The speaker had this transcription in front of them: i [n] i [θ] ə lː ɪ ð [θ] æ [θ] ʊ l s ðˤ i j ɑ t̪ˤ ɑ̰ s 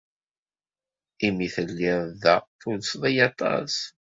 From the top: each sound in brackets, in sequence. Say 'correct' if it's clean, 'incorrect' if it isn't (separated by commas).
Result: incorrect, correct, incorrect, correct